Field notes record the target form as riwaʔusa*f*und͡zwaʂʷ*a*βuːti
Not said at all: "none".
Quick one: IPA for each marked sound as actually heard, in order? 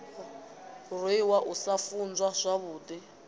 f, a

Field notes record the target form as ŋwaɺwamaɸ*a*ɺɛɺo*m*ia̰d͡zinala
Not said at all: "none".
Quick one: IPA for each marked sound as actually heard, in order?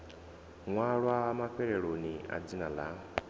ɛ, n

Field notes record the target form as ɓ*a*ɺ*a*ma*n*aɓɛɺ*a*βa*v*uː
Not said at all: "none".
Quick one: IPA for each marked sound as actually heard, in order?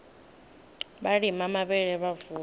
a, i, m, ɛ, v

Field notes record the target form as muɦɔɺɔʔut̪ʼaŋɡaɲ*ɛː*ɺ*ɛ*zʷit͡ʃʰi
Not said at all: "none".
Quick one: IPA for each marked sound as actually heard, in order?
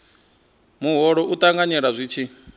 ɛ, a

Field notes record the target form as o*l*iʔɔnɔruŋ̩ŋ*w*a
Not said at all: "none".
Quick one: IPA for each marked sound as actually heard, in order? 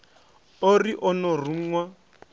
r, w

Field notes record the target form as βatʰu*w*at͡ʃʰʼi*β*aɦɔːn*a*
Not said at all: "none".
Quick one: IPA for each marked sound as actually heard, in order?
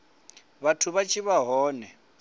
β, β, ɛ

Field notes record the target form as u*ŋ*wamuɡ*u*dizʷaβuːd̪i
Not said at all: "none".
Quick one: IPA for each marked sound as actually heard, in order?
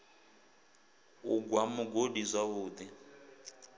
ɡ, o

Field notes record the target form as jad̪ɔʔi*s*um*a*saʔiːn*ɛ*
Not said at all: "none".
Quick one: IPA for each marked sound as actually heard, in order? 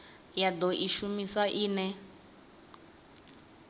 ʃ, i, ɛ

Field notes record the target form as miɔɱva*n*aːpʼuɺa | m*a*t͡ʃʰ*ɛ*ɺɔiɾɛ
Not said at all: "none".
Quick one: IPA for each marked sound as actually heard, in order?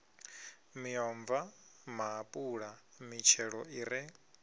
m, i, ɛ

